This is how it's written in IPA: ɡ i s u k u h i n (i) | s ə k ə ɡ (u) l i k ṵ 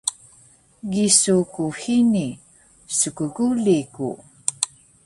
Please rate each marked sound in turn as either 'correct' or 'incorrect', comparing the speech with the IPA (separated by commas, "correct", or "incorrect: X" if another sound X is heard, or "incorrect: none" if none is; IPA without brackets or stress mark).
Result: correct, correct